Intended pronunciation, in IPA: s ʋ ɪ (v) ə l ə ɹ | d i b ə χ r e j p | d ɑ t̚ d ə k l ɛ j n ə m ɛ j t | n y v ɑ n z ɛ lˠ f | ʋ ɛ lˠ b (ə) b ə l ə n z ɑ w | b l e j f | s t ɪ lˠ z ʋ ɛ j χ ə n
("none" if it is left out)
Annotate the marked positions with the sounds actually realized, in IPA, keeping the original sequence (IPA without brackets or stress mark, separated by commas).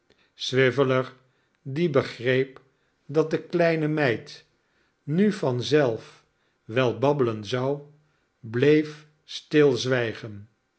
v, ɑ